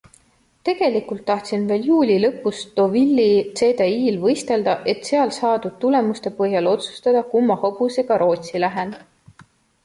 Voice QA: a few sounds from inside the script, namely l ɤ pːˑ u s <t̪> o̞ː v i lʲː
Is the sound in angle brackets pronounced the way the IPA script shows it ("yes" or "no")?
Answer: yes